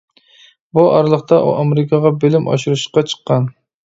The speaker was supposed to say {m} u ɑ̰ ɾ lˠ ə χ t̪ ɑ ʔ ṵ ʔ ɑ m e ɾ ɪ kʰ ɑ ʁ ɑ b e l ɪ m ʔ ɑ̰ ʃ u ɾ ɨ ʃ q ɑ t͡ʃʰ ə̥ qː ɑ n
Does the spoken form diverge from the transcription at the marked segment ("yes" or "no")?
yes